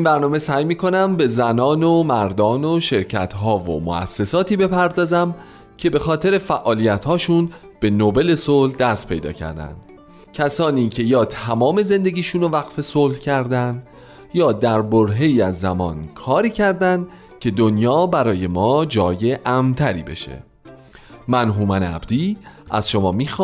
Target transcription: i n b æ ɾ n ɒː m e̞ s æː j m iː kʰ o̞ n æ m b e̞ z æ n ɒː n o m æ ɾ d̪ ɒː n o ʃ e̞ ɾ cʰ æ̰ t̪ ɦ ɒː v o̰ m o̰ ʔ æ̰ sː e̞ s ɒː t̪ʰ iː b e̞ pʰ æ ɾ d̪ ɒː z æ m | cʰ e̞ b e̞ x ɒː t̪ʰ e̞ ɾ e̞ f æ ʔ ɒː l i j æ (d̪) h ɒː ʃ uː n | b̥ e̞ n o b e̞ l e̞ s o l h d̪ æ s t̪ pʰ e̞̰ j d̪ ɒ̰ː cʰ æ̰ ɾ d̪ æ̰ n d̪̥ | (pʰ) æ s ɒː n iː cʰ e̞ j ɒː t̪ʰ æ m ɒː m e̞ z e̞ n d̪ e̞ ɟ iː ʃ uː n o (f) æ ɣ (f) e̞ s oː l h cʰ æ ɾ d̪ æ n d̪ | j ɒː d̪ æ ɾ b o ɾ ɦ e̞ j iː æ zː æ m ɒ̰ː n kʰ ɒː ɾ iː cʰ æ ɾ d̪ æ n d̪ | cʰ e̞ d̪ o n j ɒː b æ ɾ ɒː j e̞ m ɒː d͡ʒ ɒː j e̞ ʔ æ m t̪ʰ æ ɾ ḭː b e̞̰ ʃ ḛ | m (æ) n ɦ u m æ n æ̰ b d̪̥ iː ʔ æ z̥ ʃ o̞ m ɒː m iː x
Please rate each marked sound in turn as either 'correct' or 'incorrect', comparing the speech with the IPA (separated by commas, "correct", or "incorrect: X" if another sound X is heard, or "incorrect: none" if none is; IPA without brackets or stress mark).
incorrect: t̪, incorrect: cʰ, incorrect: v, correct, correct